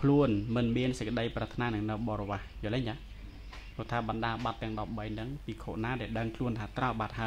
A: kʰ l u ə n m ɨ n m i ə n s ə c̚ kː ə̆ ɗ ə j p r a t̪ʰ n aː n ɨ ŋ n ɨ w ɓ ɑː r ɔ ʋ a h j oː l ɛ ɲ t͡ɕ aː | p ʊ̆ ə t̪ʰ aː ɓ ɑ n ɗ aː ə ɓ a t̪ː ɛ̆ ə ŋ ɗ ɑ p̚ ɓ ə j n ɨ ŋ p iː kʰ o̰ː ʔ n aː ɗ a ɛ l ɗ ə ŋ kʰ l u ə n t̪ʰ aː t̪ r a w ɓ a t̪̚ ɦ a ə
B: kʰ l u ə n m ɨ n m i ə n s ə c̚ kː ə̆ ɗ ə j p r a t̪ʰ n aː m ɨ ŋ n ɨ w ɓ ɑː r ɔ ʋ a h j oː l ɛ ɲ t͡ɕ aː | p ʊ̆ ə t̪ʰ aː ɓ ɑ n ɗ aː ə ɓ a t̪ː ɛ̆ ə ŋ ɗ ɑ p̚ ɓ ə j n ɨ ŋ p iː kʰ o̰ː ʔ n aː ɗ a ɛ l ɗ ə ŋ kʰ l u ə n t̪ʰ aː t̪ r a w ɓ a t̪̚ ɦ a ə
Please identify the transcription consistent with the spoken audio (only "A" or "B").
A